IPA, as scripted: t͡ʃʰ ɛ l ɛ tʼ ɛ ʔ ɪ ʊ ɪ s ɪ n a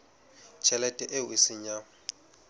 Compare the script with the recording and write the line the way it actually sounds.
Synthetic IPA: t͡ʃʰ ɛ l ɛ tʼ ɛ ʔ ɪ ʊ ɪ s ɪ ɲ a